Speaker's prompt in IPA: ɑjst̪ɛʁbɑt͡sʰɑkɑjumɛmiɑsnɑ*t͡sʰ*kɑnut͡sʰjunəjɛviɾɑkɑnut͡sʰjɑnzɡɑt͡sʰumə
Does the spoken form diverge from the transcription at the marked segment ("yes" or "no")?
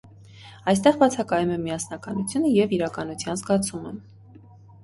yes